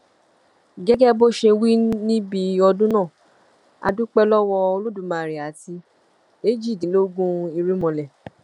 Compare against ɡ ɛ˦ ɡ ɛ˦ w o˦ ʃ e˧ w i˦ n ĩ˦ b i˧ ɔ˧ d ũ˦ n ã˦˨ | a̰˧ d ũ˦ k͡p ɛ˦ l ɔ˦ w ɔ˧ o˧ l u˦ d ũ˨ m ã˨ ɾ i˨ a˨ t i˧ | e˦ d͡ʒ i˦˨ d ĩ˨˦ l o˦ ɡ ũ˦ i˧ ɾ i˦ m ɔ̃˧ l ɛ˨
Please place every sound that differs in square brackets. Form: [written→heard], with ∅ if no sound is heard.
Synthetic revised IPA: ɡ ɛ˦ ɡ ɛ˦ [w→b] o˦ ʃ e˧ w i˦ n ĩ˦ b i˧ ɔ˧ d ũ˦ n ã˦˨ | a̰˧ d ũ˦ k͡p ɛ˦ l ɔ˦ w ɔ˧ o˧ l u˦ d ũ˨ m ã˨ ɾ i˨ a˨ t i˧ | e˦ d͡ʒ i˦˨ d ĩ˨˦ l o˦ ɡ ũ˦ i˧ ɾ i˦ m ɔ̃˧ l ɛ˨